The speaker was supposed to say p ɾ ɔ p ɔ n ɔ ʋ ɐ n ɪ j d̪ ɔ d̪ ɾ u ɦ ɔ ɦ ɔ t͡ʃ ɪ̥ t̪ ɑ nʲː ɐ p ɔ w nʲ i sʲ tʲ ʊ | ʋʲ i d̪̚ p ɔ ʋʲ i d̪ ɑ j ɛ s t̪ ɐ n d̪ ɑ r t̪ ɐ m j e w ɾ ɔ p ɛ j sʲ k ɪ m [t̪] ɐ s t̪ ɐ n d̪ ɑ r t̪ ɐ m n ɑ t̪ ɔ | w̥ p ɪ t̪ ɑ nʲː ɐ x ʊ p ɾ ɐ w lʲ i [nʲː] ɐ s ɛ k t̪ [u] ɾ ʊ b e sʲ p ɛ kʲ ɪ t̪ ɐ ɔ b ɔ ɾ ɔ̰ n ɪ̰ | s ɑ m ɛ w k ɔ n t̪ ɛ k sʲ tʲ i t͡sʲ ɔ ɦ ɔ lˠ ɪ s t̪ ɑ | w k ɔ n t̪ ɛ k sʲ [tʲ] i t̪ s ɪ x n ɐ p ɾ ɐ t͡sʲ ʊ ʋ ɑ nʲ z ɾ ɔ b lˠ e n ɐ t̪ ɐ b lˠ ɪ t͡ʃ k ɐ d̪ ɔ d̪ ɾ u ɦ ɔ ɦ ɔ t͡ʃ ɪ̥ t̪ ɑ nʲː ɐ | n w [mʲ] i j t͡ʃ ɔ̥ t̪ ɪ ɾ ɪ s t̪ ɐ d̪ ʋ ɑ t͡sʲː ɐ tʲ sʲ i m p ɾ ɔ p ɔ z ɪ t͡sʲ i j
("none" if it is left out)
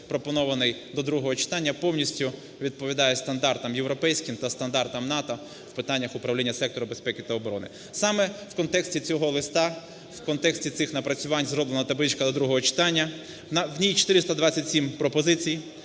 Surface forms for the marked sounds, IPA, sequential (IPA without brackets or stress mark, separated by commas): t̪, nʲː, ɔ, tʲ, nʲ